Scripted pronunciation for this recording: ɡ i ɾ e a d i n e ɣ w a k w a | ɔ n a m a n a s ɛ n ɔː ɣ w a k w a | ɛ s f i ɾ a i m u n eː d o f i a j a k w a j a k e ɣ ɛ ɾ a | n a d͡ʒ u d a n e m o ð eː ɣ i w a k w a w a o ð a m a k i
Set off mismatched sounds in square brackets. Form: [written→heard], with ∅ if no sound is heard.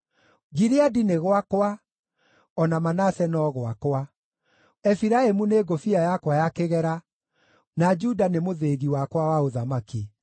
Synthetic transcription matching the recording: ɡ i ɾ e a d i n e ɣ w a k w a | ɔ n a m a n a s ɛ n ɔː ɣ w a k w a | ɛ [s→∅] f i ɾ a [i→e] m u n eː [d→ɡ] o f i a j a k w a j a k e ɣ ɛ ɾ a | n a d͡ʒ u d a n e m o ð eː ɣ i w a k w a w a o ð a m a k i